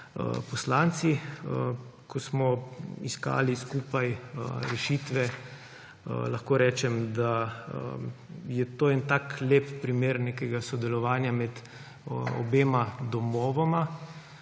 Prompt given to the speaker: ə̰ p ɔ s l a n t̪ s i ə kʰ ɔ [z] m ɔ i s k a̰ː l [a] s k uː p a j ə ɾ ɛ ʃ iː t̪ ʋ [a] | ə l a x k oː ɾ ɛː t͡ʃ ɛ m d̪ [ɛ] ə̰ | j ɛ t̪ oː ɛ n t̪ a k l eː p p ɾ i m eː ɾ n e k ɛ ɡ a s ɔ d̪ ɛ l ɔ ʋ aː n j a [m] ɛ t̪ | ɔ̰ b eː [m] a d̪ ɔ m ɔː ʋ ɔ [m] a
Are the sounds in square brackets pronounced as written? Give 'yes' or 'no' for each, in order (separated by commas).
no, no, no, no, yes, yes, yes